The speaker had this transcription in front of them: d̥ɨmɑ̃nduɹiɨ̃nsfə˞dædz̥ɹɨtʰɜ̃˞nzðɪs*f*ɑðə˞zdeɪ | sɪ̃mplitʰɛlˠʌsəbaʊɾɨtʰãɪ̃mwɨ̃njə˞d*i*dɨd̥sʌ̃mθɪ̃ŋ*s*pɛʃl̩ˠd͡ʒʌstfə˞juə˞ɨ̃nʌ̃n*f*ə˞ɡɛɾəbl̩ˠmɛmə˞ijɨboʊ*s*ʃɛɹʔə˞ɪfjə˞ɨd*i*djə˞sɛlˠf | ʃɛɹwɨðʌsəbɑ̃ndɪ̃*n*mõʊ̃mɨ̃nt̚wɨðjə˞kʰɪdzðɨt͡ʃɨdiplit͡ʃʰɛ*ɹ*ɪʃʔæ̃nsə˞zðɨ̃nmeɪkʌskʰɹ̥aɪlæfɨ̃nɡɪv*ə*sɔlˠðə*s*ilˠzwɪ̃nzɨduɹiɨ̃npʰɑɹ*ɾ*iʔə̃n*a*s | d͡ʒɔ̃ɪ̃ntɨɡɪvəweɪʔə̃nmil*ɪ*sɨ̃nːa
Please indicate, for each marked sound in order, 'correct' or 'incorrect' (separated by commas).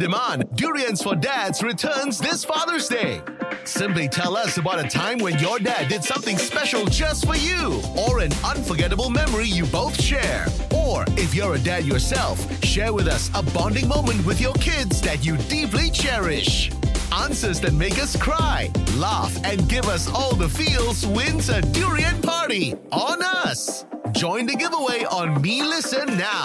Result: correct, incorrect, correct, correct, incorrect, incorrect, incorrect, correct, incorrect, incorrect, correct, incorrect, correct